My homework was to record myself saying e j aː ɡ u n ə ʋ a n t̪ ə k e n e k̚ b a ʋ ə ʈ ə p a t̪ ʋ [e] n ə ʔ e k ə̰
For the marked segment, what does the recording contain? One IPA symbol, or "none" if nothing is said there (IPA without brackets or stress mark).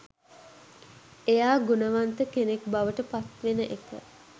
e